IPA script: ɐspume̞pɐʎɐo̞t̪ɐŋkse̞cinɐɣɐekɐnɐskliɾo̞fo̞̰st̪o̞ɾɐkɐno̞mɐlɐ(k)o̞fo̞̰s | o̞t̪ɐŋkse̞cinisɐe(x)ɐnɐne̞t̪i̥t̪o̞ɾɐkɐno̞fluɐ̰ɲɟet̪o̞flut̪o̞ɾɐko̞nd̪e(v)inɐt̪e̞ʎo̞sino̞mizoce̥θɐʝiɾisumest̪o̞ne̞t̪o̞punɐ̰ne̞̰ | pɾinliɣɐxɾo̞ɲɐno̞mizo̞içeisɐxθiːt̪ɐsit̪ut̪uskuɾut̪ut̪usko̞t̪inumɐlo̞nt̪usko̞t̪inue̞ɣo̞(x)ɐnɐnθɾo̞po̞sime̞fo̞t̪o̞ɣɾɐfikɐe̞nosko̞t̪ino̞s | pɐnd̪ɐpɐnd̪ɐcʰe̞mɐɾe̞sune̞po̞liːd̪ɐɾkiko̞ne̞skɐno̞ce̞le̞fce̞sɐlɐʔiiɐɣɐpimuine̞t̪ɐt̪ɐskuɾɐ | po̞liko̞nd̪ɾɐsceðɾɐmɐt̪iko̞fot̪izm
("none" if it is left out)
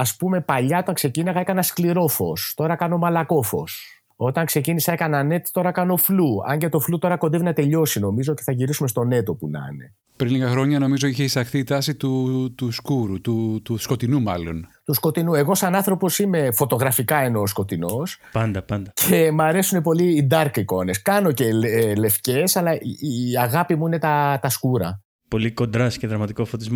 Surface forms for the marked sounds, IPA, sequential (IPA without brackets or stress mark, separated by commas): k, k, v, s